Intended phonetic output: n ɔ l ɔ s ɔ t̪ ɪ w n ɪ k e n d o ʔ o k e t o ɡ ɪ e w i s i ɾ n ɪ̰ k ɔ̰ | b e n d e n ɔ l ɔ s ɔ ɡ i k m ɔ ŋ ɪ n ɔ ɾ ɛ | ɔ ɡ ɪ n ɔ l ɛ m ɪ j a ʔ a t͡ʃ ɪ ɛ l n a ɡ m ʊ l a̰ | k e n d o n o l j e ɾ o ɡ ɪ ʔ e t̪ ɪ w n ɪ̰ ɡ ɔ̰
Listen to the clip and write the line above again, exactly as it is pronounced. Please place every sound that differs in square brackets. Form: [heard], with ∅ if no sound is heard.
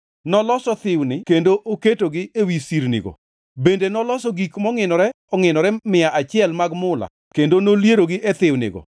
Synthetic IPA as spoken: n ɔ l ɔ s ɔ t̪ ɪ w n ɪ k e n d o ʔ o k e t o ɡ ɪ e w i s i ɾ n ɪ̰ [ɡ] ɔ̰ | b e n d e n ɔ l ɔ s ɔ ɡ i k m ɔ ŋ ɪ n ɔ ɾ ɛ | ɔ [ŋ] ɪ n ɔ [ɾ] ɛ m ɪ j a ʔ a t͡ʃ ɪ ɛ l [m] a ɡ m ʊ l a̰ | k e n d o n o l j e ɾ o ɡ ɪ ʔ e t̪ ɪ w n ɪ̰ ɡ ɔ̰